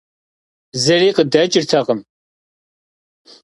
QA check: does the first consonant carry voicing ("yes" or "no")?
yes